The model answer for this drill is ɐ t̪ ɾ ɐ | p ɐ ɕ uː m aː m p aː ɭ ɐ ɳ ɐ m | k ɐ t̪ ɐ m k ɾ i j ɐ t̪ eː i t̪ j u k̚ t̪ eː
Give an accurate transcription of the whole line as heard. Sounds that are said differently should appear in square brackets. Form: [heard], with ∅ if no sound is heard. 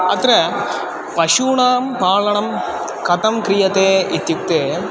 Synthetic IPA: ɐ t̪ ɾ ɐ | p ɐ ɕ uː [ɳ] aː m p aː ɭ ɐ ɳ ɐ m | k ɐ t̪ ɐ m k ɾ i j ɐ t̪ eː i t̪ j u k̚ t̪ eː